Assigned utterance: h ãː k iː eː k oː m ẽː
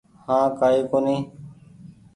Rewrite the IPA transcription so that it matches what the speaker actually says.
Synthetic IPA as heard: h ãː k aː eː k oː n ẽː